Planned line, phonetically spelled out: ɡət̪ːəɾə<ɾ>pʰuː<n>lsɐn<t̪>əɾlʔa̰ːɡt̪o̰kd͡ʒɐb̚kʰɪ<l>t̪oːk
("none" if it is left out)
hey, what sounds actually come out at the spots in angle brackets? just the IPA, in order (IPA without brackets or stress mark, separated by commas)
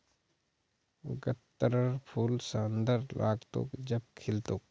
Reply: ɾ, none, d̪, l